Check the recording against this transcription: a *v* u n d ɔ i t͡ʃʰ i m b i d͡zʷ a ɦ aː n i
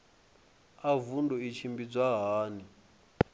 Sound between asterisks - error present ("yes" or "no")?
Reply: no